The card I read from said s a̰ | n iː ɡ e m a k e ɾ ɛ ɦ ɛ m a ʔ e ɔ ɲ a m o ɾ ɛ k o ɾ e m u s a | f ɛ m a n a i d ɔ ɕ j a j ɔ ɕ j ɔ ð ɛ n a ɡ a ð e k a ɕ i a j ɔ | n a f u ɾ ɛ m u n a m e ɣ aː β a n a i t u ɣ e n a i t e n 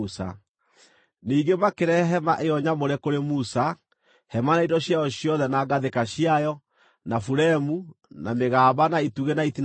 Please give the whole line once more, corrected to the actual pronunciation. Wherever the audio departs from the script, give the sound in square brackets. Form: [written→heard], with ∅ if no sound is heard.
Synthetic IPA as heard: s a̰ | n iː ɡ e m a k e ɾ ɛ ɦ ɛ m a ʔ e ɔ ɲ a m o ɾ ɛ k o ɾ e m u s a | [f→h] ɛ m a n a i d ɔ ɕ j a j ɔ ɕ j ɔ ð ɛ n a ɡ a ð e k a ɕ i a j ɔ | n a f u ɾ ɛ m u n a m e ɣ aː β a n a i t u ɣ e n a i t [e→i] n